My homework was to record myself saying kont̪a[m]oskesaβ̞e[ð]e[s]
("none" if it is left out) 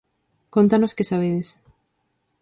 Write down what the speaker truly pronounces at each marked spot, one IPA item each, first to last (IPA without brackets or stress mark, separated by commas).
n, ð, s